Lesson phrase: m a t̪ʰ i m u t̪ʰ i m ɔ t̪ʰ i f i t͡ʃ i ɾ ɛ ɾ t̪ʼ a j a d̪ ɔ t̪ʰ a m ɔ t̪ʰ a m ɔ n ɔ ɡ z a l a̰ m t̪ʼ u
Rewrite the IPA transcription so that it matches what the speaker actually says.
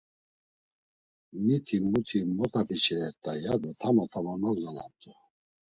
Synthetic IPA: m i t̪ʰ i m u t̪ʰ i m ɔ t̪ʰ a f i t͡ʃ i ɾ ɛ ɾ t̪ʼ a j a d̪ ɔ t̪ʰ a m ɔ t̪ʰ a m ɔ n ɔ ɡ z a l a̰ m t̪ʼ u